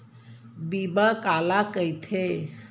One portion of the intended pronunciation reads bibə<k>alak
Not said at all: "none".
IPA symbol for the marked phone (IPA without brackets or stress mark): k